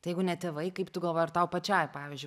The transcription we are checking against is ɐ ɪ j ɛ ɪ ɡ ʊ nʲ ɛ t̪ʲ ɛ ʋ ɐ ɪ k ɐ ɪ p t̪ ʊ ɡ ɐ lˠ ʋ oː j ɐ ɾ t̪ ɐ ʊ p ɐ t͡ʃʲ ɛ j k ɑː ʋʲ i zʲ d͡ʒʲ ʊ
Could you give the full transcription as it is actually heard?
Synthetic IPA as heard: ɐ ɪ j ɛ ɪ ɡ ʊ nʲ ɛ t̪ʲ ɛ ʋ ɐ ɪ k ɐ ɪ p t̪ ʊ ɡ ɐ lˠ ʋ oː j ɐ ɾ t̪ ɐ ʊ p ɐ t͡ʃʲ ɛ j p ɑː ʋʲ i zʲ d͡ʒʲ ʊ